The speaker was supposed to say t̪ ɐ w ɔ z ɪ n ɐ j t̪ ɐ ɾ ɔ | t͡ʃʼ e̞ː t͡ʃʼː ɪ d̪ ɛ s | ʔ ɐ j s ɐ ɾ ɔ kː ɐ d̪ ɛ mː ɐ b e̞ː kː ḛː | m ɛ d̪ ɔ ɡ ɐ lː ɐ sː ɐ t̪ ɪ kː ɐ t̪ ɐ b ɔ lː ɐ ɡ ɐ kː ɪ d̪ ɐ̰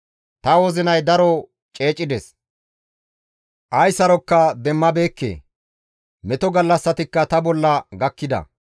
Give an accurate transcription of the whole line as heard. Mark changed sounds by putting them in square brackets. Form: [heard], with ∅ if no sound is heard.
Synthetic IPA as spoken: t̪ ɐ w ɔ z ɪ n ɐ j [d̪] ɐ ɾ ɔ | t͡ʃʼ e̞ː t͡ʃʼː ɪ d̪ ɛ s | ʔ ɐ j s ɐ ɾ ɔ kː ɐ d̪ ɛ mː ɐ b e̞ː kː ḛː | m ɛ [t̪] ɔ ɡ ɐ lː ɐ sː ɐ t̪ ɪ kː ɐ t̪ ɐ b ɔ lː ɐ ɡ ɐ kː ɪ d̪ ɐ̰

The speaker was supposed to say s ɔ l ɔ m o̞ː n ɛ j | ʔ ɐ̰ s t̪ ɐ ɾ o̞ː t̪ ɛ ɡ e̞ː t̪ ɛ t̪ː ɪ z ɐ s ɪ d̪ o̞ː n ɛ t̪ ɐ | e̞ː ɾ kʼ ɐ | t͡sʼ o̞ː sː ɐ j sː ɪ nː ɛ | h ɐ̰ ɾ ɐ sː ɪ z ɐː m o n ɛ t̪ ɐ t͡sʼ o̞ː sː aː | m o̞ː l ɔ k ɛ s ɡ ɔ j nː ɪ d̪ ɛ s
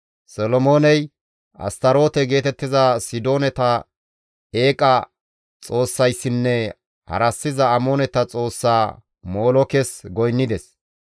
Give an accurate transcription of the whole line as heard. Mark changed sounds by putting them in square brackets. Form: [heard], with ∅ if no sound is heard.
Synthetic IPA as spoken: s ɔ l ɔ m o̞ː n ɛ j | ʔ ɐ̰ s t̪ ɐ ɾ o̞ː t̪ ɛ ɡ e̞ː t̪ ɛ t̪ː ɪ z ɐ s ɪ d̪ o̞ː n ɛ t̪ ɐ | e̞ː [∅] kʼ ɐ | t͡sʼ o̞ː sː ɐ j sː ɪ nː ɛ | h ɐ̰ ɾ ɐ sː ɪ z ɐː m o n ɛ t̪ ɐ t͡sʼ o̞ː sː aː | m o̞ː l ɔ k ɛ s ɡ ɔ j nː ɪ d̪ ɛ s

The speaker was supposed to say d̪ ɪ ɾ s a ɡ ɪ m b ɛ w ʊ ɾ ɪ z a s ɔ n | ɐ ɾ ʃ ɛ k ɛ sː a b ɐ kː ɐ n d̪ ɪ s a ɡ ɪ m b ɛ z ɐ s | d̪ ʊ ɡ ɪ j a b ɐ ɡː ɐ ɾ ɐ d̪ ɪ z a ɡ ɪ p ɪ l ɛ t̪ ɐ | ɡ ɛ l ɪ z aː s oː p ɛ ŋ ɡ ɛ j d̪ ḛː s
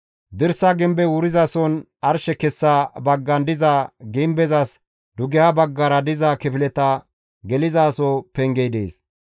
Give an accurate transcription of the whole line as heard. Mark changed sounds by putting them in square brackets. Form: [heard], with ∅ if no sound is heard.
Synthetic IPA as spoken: d̪ ɪ ɾ s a ɡ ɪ m b ɛ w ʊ ɾ ɪ z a s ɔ n | ɐ ɾ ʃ ɛ k ɛ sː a b ɐ [ɡː] ɐ n d̪ ɪ [z] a ɡ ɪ m b ɛ z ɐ s | d̪ ʊ ɡ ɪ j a b ɐ ɡː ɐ ɾ ɐ d̪ ɪ z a [k] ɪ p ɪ l ɛ t̪ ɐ | ɡ ɛ l ɪ z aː s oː p ɛ ŋ ɡ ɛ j d̪ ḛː s

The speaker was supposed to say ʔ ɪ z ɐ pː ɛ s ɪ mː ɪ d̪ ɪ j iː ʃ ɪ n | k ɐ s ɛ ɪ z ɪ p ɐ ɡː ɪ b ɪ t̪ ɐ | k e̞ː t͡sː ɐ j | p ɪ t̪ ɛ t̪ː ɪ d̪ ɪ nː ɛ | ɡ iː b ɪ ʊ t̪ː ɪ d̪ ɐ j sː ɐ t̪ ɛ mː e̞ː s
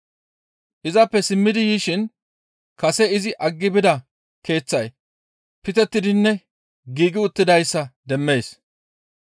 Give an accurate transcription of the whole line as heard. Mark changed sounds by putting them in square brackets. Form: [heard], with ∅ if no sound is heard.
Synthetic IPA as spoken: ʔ ɪ z ɐ pː ɛ s ɪ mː ɪ d̪ ɪ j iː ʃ ɪ n | k ɐ s ɛ ɪ z ɪ [ʔ] ɐ ɡː ɪ b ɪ [d̪] ɐ | k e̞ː t͡sː ɐ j | p ɪ t̪ ɛ t̪ː ɪ d̪ ɪ nː ɛ | ɡ iː [ɡ] ɪ ʊ t̪ː ɪ d̪ ɐ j sː ɐ [d̪] ɛ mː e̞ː s

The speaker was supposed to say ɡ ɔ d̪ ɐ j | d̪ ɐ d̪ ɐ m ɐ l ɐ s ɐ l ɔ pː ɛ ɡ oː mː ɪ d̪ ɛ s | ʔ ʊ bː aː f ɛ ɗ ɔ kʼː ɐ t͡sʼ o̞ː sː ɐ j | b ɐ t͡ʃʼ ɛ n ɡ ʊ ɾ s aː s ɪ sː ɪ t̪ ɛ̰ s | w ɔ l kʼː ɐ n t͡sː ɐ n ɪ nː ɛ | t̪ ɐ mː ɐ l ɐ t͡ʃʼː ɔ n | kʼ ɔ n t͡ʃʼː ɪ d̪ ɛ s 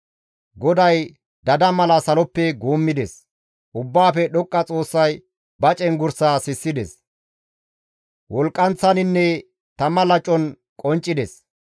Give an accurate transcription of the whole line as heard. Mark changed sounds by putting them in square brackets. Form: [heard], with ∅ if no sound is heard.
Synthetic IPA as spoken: ɡ ɔ d̪ ɐ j | d̪ ɐ d̪ ɐ m ɐ l ɐ s ɐ l ɔ pː ɛ ɡ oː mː ɪ d̪ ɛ s | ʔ ʊ bː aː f ɛ ɗ ɔ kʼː ɐ t͡sʼ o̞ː sː ɐ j | b ɐ t͡ʃʼ ɛ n ɡ ʊ ɾ s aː s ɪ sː ɪ [d̪] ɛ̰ s | w ɔ l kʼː ɐ n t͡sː ɐ n ɪ nː ɛ | t̪ ɐ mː ɐ l ɐ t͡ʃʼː ɔ n | kʼ ɔ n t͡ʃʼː ɪ d̪ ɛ s

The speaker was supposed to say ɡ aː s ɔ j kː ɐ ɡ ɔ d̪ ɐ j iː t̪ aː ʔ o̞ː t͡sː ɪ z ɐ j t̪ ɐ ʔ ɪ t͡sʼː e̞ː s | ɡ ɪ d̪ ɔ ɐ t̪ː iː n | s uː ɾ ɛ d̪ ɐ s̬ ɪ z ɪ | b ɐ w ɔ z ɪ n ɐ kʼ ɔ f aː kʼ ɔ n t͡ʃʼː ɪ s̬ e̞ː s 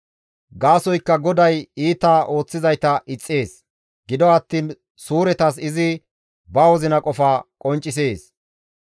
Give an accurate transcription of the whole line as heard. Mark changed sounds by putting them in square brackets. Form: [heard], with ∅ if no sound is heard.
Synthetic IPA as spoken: ɡ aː s ɔ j kː ɐ ɡ ɔ d̪ ɐ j iː t̪ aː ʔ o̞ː t͡sː ɪ z ɐ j t̪ ɐ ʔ ɪ t͡sʼː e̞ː s | ɡ ɪ d̪ ɔ ɐ t̪ː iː n | s uː ɾ ɛ [t̪] ɐ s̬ ɪ z ɪ | b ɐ w ɔ z ɪ n ɐ kʼ ɔ f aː kʼ ɔ n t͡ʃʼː ɪ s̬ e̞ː s

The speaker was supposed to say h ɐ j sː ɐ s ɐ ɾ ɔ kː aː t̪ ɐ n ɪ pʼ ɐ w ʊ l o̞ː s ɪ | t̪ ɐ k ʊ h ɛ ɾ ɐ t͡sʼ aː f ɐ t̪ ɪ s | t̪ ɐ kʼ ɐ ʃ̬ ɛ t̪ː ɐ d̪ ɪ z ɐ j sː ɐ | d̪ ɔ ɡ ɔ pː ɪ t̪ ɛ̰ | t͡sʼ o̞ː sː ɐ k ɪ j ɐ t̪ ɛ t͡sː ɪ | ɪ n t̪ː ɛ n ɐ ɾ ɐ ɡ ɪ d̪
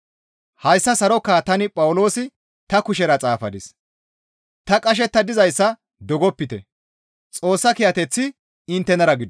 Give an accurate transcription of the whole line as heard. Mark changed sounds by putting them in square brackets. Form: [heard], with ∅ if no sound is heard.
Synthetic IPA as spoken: h ɐ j sː ɐ s ɐ ɾ ɔ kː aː t̪ ɐ n ɪ pʼ ɐ w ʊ l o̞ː s ɪ | t̪ ɐ k ʊ [ʃ] ɛ ɾ ɐ t͡sʼ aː f ɐ [d̪] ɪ s | t̪ ɐ kʼ ɐ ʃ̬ ɛ t̪ː ɐ d̪ ɪ z ɐ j sː ɐ | d̪ ɔ ɡ ɔ pː ɪ t̪ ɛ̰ | t͡sʼ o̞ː sː ɐ k ɪ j ɐ t̪ ɛ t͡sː ɪ | ɪ n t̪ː ɛ n ɐ ɾ ɐ ɡ ɪ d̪

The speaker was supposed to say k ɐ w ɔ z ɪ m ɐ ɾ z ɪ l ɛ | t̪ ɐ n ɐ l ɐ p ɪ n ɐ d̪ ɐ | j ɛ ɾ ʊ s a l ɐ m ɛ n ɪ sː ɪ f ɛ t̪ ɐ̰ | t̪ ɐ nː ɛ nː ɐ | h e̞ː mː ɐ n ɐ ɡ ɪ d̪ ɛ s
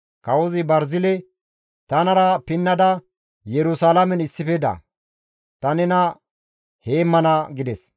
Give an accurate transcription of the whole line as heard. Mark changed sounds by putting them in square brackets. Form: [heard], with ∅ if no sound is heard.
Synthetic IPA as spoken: k ɐ w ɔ z ɪ [b] ɐ ɾ z ɪ l ɛ | t̪ ɐ n ɐ [ɾ] ɐ p ɪ [nː] ɐ d̪ ɐ | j ɛ ɾ ʊ s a l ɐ m ɛ n ɪ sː ɪ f ɛ [d̪] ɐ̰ | t̪ ɐ [n] ɛ [n] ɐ | h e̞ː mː ɐ n ɐ ɡ ɪ d̪ ɛ s

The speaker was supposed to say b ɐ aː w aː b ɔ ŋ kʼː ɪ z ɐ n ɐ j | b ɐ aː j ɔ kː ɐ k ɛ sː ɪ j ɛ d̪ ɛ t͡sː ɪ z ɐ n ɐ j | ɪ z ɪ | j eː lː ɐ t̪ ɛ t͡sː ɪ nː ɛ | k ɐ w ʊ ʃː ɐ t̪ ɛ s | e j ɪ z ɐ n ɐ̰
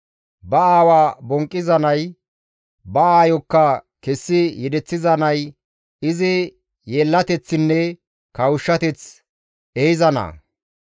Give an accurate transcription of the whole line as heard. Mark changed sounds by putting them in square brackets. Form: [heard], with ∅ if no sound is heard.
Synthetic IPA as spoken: b ɐ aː w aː b ɔ ŋ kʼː ɪ z ɐ n ɐ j | b ɐ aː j ɔ kː ɐ k ɛ sː ɪ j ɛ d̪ ɛ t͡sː ɪ z ɐ n ɐ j | ɪ z ɪ | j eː lː ɐ t̪ ɛ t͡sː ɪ nː ɛ | k ɐ w ʊ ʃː ɐ t̪ ɛ [t͡s] | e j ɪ z ɐ n ɐ̰

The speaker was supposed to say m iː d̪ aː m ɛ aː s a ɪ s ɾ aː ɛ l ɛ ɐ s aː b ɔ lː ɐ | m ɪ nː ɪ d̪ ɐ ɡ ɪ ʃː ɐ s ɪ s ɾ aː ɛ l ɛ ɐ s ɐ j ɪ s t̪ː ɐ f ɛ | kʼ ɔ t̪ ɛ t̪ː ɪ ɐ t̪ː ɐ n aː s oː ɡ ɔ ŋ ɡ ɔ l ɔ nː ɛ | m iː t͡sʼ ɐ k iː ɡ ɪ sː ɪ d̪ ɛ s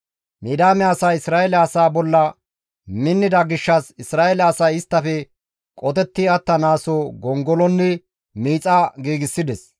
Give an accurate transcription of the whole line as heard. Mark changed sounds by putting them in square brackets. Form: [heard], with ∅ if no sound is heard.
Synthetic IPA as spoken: m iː d̪ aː m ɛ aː s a ɪ s ɾ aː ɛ l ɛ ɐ s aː b ɔ lː ɐ | m ɪ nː ɪ d̪ ɐ ɡ ɪ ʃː ɐ s ɪ s ɾ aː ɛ l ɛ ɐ s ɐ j ɪ s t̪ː ɐ f ɛ | kʼ ɔ t̪ ɛ t̪ː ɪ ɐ t̪ː ɐ n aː s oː ɡ ɔ ŋ ɡ ɔ l ɔ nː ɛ | m iː t͡sʼ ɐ [ɡ] iː ɡ ɪ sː ɪ d̪ ɛ s

